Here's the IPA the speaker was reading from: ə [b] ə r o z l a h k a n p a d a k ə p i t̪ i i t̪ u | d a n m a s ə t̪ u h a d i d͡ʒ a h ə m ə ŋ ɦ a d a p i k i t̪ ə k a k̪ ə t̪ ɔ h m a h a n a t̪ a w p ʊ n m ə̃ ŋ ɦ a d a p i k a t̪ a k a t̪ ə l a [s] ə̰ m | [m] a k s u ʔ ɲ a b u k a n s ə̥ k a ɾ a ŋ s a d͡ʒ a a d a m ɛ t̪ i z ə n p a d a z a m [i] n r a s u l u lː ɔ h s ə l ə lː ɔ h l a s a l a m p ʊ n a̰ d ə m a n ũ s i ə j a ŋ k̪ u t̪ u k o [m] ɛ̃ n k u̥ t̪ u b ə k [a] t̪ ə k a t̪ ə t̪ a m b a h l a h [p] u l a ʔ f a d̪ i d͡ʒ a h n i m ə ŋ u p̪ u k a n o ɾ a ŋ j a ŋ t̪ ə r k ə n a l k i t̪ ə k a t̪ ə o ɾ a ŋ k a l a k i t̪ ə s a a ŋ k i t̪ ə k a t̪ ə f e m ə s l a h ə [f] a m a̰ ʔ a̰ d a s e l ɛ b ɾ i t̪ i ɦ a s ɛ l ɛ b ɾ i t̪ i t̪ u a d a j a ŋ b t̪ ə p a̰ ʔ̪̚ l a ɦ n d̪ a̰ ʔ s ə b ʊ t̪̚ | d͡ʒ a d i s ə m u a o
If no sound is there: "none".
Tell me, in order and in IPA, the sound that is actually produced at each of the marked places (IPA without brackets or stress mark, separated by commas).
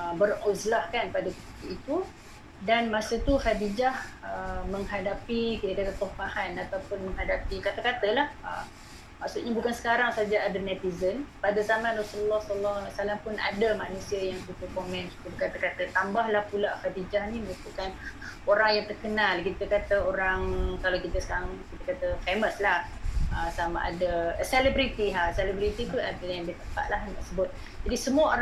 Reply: b, h, m, a, m, a, p, s